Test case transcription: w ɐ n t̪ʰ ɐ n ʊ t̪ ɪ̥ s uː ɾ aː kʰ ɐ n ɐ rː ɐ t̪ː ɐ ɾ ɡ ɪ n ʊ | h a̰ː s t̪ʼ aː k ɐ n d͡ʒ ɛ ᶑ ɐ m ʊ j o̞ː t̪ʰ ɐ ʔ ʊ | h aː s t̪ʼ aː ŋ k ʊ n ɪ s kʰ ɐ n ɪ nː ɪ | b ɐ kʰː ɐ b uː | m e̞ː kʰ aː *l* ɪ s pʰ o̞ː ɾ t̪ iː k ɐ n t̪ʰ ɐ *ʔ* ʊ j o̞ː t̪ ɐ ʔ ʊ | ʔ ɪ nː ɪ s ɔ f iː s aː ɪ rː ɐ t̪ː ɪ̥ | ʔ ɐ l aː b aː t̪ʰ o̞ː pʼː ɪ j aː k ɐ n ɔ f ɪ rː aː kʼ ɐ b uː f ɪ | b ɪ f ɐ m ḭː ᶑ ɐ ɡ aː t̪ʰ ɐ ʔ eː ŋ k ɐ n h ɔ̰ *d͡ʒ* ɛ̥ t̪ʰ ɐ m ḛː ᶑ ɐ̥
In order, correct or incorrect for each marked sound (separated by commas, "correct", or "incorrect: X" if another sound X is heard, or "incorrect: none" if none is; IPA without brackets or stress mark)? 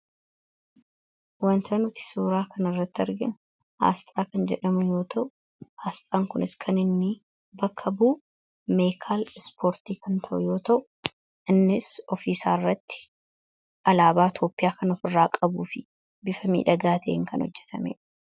correct, correct, incorrect: d͡ʒː